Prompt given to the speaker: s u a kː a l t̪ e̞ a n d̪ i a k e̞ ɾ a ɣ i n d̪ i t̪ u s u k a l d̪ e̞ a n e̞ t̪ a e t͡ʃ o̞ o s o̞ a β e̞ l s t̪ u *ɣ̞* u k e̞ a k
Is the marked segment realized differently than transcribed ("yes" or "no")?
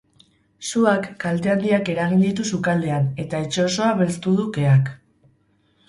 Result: yes